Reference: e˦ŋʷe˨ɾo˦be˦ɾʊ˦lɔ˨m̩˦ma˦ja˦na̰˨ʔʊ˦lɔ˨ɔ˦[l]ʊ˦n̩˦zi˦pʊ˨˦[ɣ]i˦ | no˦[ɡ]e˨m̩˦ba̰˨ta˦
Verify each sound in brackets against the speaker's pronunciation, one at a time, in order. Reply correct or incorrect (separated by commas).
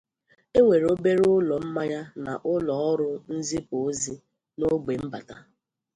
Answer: incorrect, incorrect, incorrect